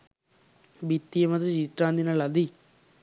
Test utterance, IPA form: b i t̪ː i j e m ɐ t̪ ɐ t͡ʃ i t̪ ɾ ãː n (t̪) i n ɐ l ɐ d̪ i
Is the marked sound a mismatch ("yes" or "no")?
yes